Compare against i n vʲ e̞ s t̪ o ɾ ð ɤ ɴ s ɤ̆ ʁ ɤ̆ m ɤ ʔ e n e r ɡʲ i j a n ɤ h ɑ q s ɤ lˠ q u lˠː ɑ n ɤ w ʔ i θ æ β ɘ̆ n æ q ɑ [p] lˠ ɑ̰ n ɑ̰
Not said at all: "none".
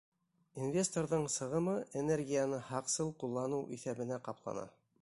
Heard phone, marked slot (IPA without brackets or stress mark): p